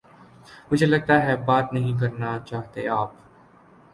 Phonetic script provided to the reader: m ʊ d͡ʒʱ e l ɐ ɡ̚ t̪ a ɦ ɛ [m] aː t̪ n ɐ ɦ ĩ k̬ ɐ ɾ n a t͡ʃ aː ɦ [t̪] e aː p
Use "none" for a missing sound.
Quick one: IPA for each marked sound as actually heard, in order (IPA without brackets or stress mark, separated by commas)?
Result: b, t̪